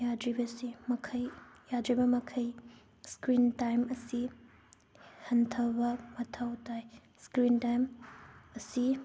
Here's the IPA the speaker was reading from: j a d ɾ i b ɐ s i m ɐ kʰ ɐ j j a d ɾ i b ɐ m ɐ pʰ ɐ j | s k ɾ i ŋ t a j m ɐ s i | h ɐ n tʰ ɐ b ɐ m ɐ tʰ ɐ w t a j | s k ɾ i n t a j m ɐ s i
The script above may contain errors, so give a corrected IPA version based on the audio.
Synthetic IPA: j a d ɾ i b ɐ s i m ɐ kʰ ɐ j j a d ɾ i b ɐ m ɐ kʰ ɐ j | s k ɾ i n t a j m ɐ s i | h ɐ n tʰ ɐ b ɐ m ɐ tʰ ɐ w t a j | s k ɾ i n t a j m ɐ s i